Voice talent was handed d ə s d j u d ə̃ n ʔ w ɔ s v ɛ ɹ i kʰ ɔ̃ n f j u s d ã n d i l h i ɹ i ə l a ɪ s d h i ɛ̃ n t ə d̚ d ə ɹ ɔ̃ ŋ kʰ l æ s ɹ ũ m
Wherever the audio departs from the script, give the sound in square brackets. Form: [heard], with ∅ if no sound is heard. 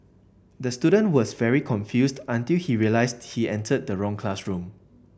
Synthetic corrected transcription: d ə s [t] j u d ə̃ n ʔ w ɔ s v ɛ ɹ i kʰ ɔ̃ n f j u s d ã n [t] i l h i ɹ i ə l a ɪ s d h i ɛ̃ n t ə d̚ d ə ɹ ɔ̃ ŋ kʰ l [a] s ɹ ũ m